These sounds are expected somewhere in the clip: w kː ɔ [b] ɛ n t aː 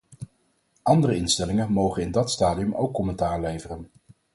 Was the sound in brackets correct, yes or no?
no